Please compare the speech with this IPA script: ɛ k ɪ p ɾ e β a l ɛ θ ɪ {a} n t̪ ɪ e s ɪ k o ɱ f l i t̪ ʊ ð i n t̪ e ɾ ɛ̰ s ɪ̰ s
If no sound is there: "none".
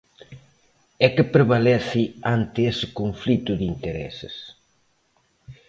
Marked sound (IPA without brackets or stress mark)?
a